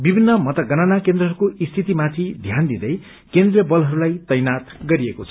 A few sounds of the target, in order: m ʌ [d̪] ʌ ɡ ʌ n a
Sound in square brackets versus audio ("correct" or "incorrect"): incorrect